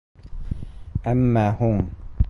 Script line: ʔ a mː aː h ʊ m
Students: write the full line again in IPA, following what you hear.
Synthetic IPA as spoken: ʔ a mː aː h ʊ m